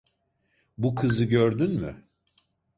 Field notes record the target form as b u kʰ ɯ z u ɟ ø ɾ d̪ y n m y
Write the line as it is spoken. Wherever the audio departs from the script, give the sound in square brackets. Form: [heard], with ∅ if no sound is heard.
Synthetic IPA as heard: b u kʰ ɯ z [ɯ] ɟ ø ɾ d̪ y n m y